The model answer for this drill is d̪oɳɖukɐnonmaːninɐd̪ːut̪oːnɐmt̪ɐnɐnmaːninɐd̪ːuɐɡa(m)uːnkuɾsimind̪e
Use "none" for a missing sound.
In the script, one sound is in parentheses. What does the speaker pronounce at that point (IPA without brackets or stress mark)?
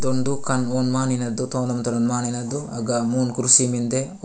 m